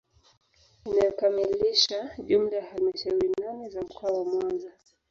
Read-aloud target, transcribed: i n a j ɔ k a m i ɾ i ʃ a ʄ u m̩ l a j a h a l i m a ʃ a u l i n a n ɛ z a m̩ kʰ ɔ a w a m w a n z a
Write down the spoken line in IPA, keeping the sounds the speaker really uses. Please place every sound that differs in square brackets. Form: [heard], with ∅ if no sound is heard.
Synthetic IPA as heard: i n a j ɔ k a m i [l] i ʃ a ʄ u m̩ l a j a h a l i m a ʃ a u [ɾ] i n a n ɛ z a m̩ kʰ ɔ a w a m w a n z a

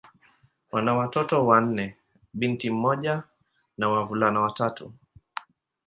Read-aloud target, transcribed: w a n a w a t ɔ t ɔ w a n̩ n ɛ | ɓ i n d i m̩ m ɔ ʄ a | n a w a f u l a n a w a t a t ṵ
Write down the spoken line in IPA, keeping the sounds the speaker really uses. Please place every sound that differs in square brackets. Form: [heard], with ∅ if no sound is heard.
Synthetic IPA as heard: w a n a w a t ɔ t ɔ w a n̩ n ɛ | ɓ i n [t] i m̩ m ɔ ʄ a | n a w a [v] u l a n a w a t a t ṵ

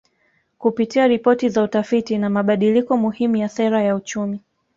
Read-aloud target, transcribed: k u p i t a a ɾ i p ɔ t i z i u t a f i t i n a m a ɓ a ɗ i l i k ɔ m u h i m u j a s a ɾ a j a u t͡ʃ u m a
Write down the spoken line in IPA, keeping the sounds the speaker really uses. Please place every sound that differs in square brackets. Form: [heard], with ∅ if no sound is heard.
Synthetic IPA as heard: k u p i t [i] a ɾ i p ɔ t i z [a] u t a f i t i n a m a ɓ a ɗ i l i k ɔ m u h i m u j a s [ɛ] ɾ a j a u t͡ʃ u m [i]

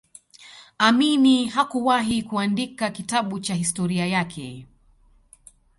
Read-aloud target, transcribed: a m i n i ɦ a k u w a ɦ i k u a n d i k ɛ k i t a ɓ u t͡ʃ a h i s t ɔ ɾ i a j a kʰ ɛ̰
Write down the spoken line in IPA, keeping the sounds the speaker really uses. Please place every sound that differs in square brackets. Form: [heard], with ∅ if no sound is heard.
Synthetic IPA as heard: a m i n i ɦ a k u w a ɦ i k u a n d i k [a] k i t a ɓ u t͡ʃ a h i s t ɔ ɾ i a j a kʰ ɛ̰

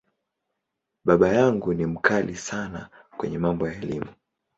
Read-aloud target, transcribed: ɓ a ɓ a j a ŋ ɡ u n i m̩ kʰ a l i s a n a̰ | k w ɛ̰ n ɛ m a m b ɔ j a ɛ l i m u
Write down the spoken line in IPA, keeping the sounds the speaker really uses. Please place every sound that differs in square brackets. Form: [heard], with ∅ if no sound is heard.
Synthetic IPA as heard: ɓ a ɓ a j a ŋ ɡ u n i m̩ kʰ a l i s a n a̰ | k w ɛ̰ [ɲ] ɛ m a m b ɔ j a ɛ l i m u

